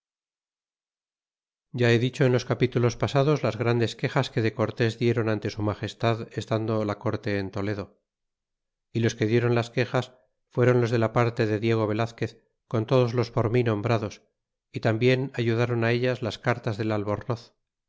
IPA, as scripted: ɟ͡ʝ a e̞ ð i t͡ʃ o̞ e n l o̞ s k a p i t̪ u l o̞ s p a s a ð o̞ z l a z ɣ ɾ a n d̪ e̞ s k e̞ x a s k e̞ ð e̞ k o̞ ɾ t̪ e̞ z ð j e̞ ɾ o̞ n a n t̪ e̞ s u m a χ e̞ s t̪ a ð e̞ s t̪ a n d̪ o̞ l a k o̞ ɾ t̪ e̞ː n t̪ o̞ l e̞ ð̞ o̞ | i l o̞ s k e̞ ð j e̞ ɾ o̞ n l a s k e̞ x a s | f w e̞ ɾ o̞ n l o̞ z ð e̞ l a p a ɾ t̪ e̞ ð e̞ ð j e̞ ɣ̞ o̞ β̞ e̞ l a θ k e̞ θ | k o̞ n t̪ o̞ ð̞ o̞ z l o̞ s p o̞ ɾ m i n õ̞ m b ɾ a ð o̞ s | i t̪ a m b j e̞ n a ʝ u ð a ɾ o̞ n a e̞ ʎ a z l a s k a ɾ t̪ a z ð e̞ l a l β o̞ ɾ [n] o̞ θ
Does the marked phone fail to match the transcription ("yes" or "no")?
no